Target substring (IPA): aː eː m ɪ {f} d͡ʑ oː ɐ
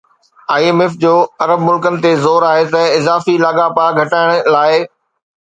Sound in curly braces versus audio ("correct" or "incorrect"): correct